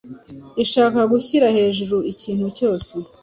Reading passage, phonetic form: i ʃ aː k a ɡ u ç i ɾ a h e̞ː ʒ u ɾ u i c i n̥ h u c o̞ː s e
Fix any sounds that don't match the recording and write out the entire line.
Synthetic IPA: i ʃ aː k a ɡ u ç i ɾ a h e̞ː ʒ u ɾ u i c iː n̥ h u c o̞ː s e